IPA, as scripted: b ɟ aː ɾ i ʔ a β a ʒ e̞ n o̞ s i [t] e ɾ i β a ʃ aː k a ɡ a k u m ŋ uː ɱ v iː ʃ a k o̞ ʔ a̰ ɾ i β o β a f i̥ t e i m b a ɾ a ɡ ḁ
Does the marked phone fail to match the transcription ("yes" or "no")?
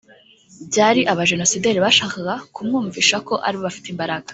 yes